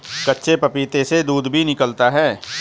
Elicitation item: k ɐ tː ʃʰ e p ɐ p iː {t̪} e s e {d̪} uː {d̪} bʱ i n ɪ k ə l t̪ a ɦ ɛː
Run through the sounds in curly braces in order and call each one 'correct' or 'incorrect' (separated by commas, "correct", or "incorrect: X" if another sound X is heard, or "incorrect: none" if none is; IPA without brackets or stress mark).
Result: correct, correct, correct